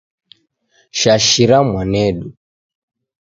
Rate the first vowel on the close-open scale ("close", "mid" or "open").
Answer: open